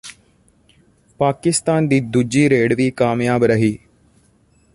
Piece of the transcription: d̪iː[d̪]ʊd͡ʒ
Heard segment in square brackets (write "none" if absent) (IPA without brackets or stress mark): d̪